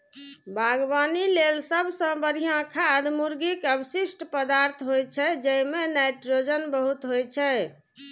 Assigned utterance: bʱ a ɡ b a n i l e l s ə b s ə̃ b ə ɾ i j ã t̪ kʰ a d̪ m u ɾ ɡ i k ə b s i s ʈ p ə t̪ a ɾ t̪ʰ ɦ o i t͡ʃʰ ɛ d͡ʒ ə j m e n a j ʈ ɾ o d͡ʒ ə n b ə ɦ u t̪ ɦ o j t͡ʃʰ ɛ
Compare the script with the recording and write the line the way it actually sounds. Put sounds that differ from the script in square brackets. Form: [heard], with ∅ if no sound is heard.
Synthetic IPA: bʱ a ɡ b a n i l e l s ə b s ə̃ b ə ɾ i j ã [∅] kʰ a d̪ m u ɾ ɡ i k ə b s i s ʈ p ə [d̪] a ɾ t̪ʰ ɦ o [j] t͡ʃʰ ɛ d͡ʒ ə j m e n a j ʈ ɾ o d͡ʒ ə n b ə ɦ u t̪ ɦ o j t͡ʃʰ ɛ